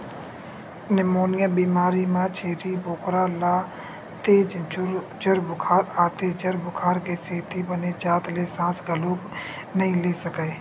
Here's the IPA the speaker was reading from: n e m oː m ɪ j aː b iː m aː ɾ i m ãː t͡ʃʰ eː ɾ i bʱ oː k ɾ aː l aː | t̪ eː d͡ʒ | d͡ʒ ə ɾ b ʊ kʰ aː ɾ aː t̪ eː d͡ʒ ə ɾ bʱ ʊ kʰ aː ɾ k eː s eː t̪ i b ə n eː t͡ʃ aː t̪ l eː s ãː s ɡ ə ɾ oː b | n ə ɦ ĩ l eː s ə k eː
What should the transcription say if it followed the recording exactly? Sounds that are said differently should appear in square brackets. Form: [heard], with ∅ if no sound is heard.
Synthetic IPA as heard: n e m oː [n] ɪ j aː b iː m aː ɾ i m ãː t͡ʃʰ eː ɾ i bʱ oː k ɾ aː l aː | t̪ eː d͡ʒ | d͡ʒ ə ɾ b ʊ kʰ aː ɾ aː t̪ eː d͡ʒ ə ɾ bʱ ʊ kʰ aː ɾ k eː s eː t̪ i b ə n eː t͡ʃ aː t̪ l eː s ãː s ɡ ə [l] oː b | n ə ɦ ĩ l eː s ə k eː